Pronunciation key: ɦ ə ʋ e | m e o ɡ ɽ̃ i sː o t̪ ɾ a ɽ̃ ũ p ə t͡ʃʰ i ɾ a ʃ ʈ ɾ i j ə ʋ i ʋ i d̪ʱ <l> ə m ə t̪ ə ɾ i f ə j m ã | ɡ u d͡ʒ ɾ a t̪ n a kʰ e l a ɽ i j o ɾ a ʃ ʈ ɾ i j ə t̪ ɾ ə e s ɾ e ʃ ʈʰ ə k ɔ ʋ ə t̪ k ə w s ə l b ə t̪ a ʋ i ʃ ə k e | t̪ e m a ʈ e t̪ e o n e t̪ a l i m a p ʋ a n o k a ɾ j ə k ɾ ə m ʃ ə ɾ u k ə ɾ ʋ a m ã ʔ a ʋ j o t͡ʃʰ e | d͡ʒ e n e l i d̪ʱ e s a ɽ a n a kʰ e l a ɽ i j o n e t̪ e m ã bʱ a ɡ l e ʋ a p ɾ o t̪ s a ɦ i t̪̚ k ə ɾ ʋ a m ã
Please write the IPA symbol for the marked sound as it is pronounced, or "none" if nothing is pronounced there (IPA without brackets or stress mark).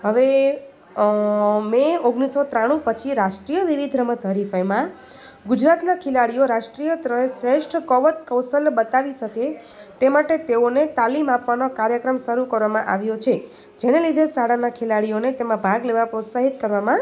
ɾ